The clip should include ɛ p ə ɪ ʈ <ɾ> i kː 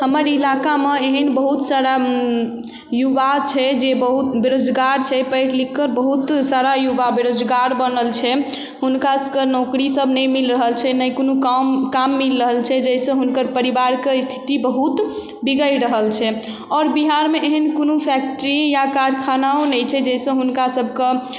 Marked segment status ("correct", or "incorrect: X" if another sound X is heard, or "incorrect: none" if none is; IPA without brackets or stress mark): incorrect: l